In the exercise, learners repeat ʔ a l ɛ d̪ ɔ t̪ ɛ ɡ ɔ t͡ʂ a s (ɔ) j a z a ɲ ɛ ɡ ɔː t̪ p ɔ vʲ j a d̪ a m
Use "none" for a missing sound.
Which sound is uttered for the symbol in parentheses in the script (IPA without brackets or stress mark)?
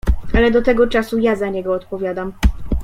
u